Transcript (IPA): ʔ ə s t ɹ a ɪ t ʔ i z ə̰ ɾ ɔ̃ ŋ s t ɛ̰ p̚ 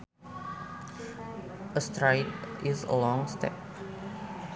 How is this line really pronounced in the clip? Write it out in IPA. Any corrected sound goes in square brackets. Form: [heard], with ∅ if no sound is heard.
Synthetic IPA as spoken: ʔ ə s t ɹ a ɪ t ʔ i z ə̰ [l] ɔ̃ ŋ s t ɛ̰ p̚

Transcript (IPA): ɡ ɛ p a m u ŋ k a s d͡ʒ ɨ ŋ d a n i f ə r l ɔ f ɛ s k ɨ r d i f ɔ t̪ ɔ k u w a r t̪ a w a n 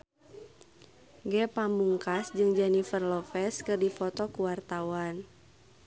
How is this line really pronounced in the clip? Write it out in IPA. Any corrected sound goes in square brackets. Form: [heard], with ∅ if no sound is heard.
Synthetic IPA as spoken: ɡ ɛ p a m u ŋ k a s d͡ʒ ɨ ŋ [d͡ʒ] a n i f ə r l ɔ f ɛ s k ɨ r d i f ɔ t̪ ɔ k u w a r t̪ a w a n

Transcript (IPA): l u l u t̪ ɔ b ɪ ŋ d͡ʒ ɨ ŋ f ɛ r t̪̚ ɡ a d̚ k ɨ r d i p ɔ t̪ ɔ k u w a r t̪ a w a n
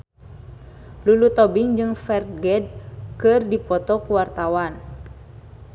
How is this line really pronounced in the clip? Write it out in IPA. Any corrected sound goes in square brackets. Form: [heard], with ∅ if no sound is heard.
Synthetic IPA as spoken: l u l u t̪ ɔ b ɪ ŋ d͡ʒ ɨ ŋ f ɛ r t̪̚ ɡ [ɛ] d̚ k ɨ r d i p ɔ t̪ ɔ k u w a r t̪ a w a n

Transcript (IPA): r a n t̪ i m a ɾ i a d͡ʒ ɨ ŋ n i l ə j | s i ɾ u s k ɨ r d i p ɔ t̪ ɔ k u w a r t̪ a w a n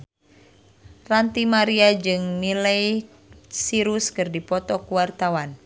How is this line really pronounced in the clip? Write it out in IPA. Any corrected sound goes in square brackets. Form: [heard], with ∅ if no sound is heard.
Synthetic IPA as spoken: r a n t̪ i m a ɾ i a d͡ʒ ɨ ŋ n i l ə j | s i ɾ u s k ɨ r d i p ɔ t̪ ɔ k u w a r t̪ a w a n

